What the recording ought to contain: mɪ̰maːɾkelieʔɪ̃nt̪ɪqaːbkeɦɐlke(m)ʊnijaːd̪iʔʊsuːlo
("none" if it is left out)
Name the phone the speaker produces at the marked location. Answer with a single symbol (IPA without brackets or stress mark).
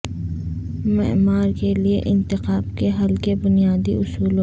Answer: b